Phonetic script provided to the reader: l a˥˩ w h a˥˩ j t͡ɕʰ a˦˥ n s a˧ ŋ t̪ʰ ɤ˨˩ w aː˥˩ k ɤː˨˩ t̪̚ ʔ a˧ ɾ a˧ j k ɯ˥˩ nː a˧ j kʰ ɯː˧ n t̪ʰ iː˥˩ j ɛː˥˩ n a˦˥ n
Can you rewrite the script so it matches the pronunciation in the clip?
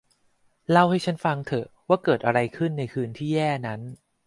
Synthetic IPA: l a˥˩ w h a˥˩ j t͡ɕʰ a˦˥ n f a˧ ŋ t̪ʰ ɤ˨˩ w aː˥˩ k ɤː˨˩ t̪̚ ʔ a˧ ɾ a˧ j kʰ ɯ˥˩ nː a˧ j kʰ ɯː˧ n t̪ʰ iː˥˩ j ɛː˥˩ n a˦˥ n